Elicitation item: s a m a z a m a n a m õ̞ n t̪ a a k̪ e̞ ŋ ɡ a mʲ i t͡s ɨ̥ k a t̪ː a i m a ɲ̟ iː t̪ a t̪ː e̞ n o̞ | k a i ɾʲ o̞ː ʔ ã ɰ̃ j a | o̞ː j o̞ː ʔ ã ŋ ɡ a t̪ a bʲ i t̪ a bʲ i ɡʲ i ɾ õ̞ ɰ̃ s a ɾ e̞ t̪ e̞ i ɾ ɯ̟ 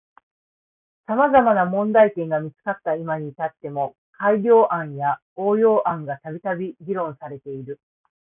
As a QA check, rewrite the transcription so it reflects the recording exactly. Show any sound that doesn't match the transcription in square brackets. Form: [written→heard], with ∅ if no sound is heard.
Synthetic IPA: s a m a z a m a n a m õ̞ n [t̪→d̪] a [a→i] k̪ [e̞→ẽ̞] ŋ ɡ a mʲ i t͡s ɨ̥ k a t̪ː a i m a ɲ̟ [iː→i] t̪ a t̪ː e̞ [n→m] o̞ | k a i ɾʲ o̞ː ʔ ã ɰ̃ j a | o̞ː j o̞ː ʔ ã ŋ ɡ a t̪ a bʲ i t̪ a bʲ i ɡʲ i ɾ õ̞ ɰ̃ s a ɾ e̞ t̪ e̞ i ɾ ɯ̟